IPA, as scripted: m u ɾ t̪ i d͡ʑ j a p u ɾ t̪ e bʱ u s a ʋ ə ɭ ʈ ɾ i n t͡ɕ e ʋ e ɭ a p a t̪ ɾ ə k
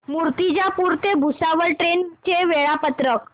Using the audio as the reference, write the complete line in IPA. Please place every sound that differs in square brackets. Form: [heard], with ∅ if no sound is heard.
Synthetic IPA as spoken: m u ɾ t̪ i d͡ʑ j a p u ɾ t̪ e bʱ u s a ʋ ə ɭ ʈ ɾ [e] n t͡ɕ e ʋ e ɭ a p [ə] t̪ ɾ ə k